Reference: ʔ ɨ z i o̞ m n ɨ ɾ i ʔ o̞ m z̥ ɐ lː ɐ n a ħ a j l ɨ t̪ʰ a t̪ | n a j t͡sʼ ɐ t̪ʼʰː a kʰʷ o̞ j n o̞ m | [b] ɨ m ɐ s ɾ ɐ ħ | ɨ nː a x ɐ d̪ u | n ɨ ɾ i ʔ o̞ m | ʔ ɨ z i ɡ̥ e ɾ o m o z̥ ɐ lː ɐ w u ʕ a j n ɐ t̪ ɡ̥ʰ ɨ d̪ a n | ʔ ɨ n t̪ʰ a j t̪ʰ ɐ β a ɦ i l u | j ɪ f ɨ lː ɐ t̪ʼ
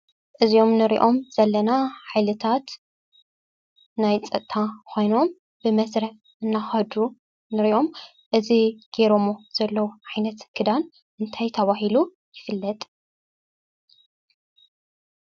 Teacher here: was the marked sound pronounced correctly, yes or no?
yes